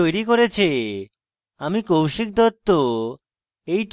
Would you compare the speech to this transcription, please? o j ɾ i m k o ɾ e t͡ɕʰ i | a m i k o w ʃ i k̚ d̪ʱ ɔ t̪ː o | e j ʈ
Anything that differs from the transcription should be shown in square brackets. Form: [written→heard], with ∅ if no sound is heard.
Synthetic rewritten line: o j ɾ i [m→∅] k o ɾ e t͡ɕʰ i | a m i k o w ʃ i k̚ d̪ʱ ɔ t̪ː o | e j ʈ

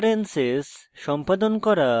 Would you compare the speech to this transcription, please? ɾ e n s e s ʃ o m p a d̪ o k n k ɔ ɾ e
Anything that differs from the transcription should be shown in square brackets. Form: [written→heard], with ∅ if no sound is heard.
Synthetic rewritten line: ɾ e n s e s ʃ [o→ɔ] m p a d̪ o [k→∅] n k ɔ ɾ [e→a]

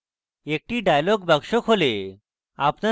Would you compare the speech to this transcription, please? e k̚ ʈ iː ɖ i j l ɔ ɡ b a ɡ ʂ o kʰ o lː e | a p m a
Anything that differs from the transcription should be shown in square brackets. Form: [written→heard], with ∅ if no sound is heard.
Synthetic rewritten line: e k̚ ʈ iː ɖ [i→a] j l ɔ ɡ b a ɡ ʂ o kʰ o [lː→l] e | a p [m→n] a

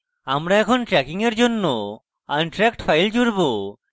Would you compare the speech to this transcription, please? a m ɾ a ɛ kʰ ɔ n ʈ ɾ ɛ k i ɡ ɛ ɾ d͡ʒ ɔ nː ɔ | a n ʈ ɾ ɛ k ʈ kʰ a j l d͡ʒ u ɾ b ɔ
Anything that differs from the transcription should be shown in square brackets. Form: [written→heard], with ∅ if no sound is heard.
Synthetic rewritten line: a m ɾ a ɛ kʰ ɔ n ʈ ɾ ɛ k i [ɡ→ŋ] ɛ ɾ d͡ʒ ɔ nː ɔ | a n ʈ ɾ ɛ k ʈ [kʰ→pʰ] a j l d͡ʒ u ɾ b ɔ

